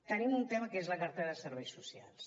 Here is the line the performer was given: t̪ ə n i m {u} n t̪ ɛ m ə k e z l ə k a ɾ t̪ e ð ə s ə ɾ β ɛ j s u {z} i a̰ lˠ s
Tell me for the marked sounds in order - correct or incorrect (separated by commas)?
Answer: correct, incorrect